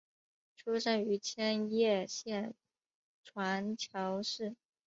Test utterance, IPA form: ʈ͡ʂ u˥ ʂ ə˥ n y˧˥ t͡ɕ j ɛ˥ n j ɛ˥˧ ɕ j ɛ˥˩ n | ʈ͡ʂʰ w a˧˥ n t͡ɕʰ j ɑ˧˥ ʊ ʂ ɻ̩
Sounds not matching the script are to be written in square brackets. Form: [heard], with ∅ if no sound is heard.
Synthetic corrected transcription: [ʈ͡ʂʰ] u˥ ʂ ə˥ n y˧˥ [t͡ɕʰ] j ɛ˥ n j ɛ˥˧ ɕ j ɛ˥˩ n | ʈ͡ʂʰ w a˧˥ n t͡ɕʰ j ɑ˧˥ ʊ ʂ ɻ̩

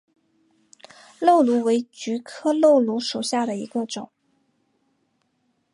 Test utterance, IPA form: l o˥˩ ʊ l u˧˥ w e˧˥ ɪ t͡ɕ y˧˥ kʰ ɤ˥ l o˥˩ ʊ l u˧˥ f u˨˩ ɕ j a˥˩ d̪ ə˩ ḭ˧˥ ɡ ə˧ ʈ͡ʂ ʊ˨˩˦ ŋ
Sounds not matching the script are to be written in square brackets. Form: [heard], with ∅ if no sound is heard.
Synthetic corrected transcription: l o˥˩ ʊ l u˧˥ w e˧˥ ɪ t͡ɕ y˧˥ kʰ ɤ˥ l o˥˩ ʊ l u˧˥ [ʂ] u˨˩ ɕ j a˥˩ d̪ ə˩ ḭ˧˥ ɡ ə˧ ʈ͡ʂ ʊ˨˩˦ ŋ

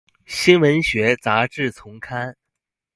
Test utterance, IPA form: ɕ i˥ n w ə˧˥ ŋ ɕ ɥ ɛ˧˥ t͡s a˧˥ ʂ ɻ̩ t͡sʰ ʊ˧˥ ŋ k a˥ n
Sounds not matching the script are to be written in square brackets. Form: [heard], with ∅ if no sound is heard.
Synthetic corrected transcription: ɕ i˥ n w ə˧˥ [n] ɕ ɥ ɛ˧˥ t͡s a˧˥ [ʈ͡ʂ] ɻ̩ t͡sʰ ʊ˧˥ ŋ [kʰ] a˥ n

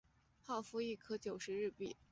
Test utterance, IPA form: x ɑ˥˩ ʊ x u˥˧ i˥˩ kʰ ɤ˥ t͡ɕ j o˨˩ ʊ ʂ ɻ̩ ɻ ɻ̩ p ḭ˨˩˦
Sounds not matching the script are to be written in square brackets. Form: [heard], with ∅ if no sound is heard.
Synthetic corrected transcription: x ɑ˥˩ ʊ [f] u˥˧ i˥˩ kʰ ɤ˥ t͡ɕ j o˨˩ ʊ ʂ ɻ̩ ɻ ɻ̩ p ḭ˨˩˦

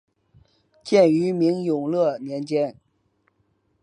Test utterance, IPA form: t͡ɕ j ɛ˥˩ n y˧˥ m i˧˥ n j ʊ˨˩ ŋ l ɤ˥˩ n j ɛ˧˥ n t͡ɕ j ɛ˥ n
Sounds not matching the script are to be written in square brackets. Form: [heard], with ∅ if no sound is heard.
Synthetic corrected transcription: t͡ɕ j ɛ˥˩ n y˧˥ m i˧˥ [ŋ] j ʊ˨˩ ŋ l ɤ˥˩ n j ɛ˧˥ n t͡ɕ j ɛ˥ n

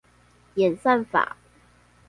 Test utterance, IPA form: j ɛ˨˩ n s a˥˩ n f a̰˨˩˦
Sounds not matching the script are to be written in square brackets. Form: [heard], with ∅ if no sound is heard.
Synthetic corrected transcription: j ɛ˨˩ n s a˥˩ n f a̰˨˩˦

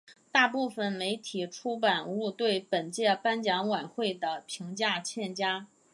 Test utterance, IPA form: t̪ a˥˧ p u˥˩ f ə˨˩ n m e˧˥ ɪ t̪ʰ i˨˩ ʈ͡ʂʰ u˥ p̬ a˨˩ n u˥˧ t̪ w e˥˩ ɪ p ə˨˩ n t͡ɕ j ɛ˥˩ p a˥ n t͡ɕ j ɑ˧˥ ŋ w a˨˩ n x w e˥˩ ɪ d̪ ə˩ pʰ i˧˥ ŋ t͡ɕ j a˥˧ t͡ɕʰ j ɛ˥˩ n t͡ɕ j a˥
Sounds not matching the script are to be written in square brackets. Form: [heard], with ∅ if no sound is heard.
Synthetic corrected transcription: t̪ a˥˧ p u˥˩ f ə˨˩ n m e˧˥ ɪ t̪ʰ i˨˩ ʈ͡ʂʰ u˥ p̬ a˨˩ n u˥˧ t̪ w e˥˩ ɪ p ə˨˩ n t͡ɕ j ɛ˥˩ p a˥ n t͡ɕ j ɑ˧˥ ŋ w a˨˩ n x w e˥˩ ɪ d̪ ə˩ pʰ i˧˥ ŋ t͡ɕ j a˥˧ t͡ɕʰ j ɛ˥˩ n t͡ɕ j a˥

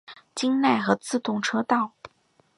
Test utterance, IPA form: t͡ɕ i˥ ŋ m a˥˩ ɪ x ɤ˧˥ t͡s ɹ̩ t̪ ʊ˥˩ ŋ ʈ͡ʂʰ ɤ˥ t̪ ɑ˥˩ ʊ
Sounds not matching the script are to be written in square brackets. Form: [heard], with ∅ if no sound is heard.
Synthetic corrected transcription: t͡ɕ i˥ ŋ [n] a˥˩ ɪ x ɤ˧˥ t͡s ɹ̩ t̪ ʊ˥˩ ŋ ʈ͡ʂʰ ɤ˥ t̪ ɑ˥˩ ʊ

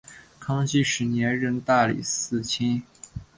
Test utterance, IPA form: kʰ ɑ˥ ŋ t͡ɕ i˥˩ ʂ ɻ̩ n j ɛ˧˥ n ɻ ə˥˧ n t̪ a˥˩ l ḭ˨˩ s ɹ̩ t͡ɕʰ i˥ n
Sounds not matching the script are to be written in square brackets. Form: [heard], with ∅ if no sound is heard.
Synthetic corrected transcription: kʰ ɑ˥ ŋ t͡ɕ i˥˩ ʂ ɻ̩ n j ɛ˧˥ n ɻ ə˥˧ n t̪ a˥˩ l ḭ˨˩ s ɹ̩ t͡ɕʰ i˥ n

